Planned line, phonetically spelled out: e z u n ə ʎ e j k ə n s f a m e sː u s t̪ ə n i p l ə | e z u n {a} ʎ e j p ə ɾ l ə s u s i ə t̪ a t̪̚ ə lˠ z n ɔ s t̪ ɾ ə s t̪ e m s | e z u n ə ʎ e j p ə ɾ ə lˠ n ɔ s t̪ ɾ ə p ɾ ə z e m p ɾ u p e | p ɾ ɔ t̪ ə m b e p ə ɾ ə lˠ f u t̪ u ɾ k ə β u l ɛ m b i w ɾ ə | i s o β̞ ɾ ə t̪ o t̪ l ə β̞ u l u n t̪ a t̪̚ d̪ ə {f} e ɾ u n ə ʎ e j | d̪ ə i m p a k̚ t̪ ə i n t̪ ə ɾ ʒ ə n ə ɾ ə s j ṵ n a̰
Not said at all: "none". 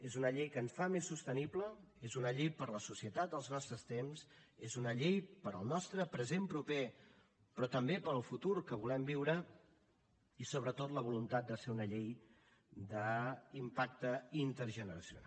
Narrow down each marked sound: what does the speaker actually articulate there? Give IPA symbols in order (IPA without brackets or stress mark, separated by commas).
ə, s